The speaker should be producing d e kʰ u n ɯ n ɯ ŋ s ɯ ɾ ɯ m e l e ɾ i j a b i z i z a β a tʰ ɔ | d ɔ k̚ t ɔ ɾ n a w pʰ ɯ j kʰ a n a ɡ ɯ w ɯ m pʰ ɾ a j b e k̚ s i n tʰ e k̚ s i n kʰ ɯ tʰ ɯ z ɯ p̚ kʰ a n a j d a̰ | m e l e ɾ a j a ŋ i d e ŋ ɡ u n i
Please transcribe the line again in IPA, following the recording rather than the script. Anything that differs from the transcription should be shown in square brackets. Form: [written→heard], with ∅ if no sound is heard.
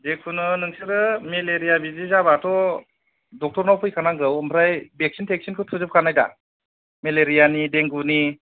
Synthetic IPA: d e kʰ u n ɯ n ɯ ŋ s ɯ ɾ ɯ m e l e ɾ i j a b i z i z a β a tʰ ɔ | d ɔ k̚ t ɔ ɾ n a w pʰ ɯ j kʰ a n a ɡ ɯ w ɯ m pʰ ɾ a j b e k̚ s i n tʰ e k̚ s i n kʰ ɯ tʰ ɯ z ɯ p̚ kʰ a n a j d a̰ | m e l e ɾ [a→i] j a [ŋ→n] i d e ŋ ɡ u n i